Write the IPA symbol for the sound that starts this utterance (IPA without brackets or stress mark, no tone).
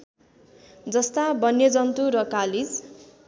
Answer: d͡z